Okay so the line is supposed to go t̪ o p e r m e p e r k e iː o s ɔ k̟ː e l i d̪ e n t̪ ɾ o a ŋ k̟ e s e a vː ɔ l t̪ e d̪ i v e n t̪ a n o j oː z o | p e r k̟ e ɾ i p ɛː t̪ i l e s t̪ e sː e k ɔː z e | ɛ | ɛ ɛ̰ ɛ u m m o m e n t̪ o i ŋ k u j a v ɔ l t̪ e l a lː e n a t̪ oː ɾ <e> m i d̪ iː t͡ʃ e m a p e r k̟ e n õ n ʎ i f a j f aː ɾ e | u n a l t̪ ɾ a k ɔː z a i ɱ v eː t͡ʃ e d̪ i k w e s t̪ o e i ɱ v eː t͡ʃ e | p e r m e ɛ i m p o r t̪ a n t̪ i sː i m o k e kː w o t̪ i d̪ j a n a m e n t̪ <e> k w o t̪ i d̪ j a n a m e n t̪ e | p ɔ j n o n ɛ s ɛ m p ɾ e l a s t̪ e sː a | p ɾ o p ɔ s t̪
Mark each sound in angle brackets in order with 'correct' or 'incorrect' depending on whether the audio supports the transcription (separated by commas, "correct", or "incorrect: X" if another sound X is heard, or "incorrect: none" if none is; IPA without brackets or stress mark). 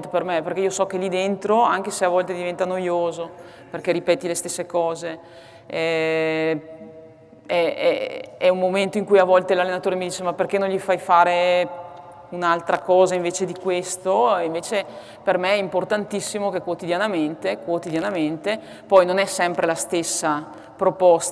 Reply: correct, correct